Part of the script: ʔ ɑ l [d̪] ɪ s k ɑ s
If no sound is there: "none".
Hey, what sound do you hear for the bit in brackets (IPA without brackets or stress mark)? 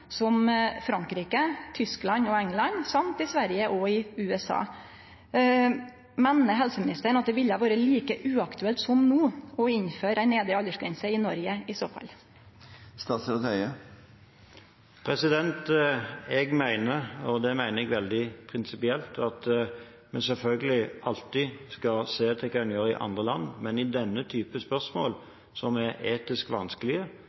t̪